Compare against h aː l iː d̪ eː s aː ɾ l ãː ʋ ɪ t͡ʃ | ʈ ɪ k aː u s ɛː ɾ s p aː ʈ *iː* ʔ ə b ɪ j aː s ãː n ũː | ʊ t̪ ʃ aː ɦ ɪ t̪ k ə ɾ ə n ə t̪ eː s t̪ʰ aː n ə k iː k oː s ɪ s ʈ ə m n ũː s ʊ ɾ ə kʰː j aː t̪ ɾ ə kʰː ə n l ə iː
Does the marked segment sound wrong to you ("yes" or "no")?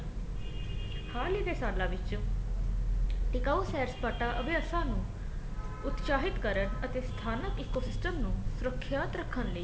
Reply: yes